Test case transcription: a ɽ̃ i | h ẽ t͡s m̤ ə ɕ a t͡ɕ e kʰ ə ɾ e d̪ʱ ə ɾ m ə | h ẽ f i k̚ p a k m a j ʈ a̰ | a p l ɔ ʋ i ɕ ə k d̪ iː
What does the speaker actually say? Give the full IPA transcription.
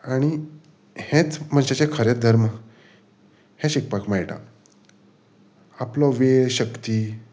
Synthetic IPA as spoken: a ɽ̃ i | h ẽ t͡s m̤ ə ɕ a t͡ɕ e kʰ ə ɾ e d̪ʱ ə ɾ m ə | h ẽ ɕ i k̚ p a k m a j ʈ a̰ | a p l ɔ ʋ e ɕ ə k t̪ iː